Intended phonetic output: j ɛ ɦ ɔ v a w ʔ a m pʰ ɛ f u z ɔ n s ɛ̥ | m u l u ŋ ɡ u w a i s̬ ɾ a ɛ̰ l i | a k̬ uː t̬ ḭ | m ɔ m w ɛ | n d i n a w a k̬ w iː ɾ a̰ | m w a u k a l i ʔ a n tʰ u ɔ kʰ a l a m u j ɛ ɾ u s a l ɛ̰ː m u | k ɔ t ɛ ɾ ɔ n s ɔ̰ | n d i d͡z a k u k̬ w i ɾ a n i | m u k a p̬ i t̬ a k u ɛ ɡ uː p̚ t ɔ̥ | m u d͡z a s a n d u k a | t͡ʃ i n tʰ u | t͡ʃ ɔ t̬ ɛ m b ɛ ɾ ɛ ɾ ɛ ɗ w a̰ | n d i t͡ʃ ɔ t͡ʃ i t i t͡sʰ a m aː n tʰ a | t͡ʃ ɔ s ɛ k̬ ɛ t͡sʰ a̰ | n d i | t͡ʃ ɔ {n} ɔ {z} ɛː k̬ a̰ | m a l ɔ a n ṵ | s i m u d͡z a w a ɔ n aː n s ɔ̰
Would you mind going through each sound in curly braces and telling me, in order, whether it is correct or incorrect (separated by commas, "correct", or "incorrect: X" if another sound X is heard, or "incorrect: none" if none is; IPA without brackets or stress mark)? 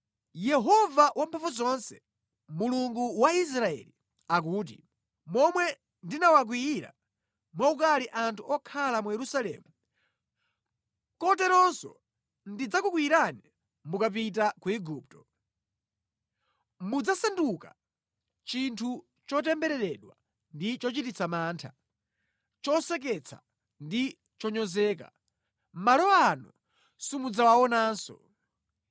incorrect: ɲ, correct